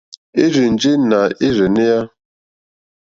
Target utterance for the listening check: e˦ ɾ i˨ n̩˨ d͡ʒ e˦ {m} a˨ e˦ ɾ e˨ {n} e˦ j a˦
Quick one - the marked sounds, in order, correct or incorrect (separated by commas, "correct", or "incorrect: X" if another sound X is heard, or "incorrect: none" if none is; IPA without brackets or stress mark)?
incorrect: n, correct